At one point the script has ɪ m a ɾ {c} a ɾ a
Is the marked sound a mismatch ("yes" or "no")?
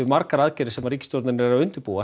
yes